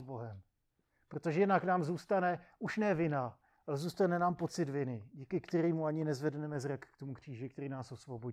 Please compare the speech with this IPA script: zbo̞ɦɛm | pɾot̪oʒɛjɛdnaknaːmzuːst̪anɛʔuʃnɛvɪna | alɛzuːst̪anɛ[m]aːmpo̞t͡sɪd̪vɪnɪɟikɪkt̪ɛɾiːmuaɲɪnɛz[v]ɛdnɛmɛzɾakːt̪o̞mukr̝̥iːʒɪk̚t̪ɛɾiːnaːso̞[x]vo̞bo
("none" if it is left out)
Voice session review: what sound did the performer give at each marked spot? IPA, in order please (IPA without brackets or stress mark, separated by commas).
n, v, s